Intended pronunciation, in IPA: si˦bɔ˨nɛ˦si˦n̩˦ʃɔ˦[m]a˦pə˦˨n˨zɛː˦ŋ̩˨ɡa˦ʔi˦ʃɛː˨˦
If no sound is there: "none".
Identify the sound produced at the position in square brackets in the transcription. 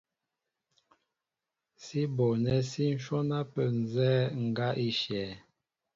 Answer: n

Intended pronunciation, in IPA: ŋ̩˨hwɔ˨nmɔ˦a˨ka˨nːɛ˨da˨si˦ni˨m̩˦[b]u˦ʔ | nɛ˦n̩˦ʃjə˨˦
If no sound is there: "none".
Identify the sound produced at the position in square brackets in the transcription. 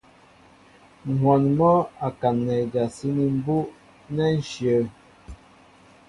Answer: b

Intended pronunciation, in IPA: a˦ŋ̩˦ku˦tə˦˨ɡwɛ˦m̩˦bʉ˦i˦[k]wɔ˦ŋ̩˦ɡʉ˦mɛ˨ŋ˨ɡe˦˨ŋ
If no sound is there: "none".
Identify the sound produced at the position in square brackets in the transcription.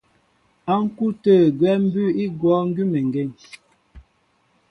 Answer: ɡ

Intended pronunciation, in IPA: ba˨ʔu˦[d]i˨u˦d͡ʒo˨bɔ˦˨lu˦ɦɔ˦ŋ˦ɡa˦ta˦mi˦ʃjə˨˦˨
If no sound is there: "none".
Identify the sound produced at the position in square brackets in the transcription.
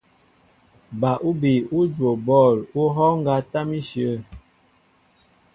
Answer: b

